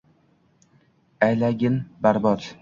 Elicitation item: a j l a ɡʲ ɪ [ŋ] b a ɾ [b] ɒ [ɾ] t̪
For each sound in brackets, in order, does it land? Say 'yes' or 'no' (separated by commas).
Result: no, yes, no